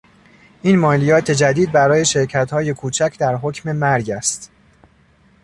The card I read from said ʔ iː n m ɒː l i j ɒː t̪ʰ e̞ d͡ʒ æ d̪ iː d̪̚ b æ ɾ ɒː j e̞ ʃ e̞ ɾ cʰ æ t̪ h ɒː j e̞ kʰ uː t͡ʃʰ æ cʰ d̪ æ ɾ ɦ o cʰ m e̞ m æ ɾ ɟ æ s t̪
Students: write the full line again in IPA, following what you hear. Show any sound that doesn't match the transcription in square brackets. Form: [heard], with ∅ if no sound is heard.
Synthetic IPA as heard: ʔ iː n m ɒː l i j ɒː t̪ʰ e̞ d͡ʒ æ d̪ iː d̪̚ b æ ɾ ɒː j e̞ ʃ e̞ ɾ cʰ æ t̪ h ɒː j e̞ kʰ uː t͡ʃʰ æ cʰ d̪ æ ɾ ɦ o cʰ m e̞ m æ ɾ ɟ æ s t̪

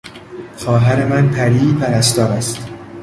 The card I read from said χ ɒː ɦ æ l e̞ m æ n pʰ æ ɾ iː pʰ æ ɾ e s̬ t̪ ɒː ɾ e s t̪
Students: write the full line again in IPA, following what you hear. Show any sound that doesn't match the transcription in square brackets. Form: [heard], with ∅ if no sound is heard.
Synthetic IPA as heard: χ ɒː ɦ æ [ɾ] e̞ m æ n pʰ æ ɾ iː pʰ æ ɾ [æ] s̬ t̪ ɒː ɾ [æ] s t̪

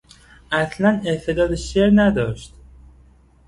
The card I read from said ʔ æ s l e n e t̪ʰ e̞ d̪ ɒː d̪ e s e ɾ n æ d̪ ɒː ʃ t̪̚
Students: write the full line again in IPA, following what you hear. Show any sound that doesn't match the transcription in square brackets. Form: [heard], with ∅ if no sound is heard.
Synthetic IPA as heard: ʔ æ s l [æ] n e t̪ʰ e̞ d̪ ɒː d̪ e [ʃ] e ɾ n æ d̪ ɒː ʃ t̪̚

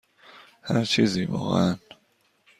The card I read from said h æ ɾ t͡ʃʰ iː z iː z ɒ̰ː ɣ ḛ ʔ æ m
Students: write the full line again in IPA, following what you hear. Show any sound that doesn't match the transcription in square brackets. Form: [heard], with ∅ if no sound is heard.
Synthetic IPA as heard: h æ ɾ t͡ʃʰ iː z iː [v] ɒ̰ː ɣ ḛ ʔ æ [n]

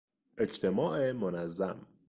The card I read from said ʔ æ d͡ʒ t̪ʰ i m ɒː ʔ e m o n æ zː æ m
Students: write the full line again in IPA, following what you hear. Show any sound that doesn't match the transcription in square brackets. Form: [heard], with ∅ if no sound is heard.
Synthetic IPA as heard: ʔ [e] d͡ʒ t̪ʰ [e] m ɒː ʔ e m o n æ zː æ m

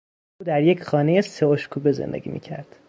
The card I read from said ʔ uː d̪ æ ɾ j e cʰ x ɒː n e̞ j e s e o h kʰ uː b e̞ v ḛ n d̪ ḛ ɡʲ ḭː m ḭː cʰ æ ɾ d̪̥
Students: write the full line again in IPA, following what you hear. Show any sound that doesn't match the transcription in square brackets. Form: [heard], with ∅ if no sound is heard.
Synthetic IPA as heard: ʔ uː d̪ æ ɾ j e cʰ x ɒː n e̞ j e s e o [ʃ] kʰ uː b e̞ [z] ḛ n d̪ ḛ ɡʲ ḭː m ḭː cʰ æ ɾ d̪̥

